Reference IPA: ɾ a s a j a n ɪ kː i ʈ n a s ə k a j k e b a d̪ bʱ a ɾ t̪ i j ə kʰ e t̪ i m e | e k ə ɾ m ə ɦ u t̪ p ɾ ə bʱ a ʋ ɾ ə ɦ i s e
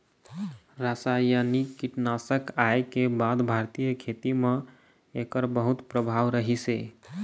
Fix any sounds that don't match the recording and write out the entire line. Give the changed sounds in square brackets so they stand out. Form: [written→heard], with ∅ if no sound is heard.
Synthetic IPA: ɾ a s a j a n [ɪ→i] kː i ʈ n a s ə k a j k e b a d̪ bʱ a ɾ t̪ i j ə kʰ e t̪ i m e | e k ə ɾ [m→b] ə ɦ u t̪ p ɾ ə bʱ a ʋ ɾ ə ɦ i s e